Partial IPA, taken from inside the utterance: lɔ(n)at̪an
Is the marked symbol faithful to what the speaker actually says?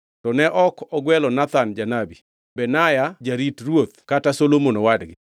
yes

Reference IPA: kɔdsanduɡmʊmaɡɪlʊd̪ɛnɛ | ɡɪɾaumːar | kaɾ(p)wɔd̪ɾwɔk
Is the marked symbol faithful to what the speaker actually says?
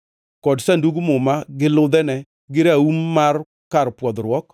yes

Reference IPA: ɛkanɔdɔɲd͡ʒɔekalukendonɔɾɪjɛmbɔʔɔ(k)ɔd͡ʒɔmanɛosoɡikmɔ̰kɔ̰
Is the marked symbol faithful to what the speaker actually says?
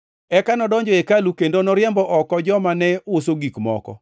yes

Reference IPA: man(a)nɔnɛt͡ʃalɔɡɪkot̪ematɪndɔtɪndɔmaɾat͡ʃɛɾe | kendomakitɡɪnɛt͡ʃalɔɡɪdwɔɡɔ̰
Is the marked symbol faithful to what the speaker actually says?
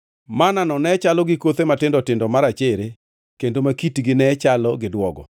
yes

